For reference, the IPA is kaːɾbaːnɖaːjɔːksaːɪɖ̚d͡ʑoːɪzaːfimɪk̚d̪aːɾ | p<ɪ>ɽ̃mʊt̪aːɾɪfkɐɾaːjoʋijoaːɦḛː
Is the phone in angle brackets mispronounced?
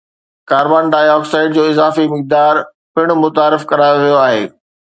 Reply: no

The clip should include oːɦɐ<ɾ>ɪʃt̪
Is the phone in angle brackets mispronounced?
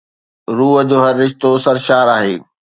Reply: yes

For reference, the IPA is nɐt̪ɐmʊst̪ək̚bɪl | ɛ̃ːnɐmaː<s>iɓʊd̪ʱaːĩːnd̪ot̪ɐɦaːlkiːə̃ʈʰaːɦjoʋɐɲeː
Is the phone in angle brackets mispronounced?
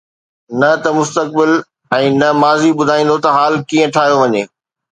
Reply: yes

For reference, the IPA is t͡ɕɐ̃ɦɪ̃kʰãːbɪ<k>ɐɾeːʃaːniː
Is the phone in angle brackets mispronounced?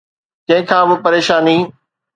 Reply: yes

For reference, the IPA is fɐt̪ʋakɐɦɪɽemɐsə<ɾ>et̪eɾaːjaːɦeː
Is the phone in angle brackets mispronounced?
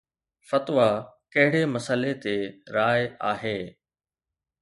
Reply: yes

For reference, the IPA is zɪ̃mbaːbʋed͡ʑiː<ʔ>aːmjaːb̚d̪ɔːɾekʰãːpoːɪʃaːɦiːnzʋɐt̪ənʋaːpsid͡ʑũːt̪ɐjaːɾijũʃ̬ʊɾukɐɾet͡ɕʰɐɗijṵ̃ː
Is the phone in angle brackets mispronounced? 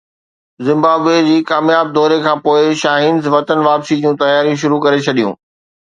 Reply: yes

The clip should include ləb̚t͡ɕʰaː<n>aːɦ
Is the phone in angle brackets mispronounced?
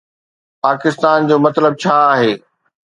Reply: yes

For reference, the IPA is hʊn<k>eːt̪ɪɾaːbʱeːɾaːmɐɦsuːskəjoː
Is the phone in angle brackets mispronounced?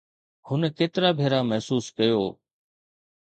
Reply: no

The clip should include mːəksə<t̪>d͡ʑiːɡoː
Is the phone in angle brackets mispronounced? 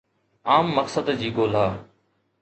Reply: yes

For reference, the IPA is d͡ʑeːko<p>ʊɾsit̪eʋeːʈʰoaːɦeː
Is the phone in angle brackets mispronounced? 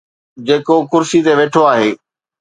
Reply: yes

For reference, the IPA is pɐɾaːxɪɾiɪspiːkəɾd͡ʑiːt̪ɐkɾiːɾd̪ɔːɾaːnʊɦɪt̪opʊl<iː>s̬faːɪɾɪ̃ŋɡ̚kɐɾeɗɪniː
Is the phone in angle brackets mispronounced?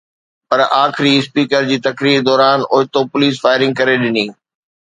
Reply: no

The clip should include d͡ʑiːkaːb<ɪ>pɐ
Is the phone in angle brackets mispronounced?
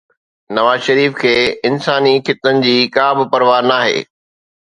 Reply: no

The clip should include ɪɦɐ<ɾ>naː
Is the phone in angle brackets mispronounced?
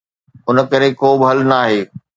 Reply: yes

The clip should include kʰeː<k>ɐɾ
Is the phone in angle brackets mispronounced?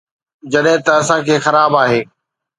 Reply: yes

